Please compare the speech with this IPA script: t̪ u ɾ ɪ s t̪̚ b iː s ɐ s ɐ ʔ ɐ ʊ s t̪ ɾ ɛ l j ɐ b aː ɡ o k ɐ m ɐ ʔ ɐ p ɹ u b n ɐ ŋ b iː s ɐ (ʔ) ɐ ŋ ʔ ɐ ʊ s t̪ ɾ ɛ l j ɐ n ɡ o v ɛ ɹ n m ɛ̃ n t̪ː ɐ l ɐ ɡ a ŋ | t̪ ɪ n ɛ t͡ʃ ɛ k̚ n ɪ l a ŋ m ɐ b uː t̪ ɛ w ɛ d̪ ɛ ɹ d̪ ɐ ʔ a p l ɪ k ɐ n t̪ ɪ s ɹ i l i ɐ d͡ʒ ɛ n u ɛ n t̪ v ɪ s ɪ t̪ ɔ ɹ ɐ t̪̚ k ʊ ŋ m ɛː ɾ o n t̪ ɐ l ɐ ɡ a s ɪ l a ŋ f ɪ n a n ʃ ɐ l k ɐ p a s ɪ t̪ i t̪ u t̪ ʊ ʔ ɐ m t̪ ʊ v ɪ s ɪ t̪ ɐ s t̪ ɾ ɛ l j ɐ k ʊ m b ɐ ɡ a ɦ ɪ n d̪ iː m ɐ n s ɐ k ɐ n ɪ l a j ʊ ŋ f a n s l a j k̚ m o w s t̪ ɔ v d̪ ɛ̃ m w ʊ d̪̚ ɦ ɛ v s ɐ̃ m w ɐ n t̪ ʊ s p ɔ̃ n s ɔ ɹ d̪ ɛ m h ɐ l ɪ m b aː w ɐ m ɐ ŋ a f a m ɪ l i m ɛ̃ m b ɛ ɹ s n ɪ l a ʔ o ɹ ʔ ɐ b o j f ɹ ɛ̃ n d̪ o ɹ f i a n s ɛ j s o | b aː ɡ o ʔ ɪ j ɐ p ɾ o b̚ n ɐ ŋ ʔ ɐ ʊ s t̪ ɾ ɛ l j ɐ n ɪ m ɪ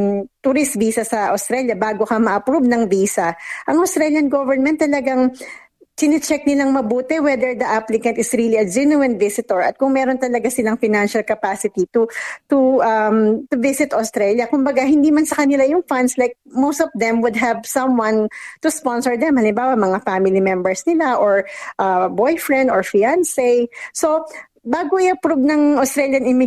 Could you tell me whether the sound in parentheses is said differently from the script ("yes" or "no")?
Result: no